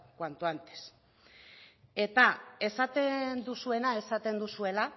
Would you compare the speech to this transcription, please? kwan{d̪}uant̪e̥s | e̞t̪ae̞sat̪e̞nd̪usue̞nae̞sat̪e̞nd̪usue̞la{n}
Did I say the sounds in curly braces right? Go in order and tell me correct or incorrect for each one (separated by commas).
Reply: incorrect, incorrect